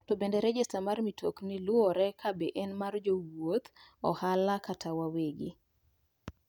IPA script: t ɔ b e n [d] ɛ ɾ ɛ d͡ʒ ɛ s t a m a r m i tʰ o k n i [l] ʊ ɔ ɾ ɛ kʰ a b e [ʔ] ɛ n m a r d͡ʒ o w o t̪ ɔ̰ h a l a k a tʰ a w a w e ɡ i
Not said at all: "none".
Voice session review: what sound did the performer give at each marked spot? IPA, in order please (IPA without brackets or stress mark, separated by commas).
d, l, ʔ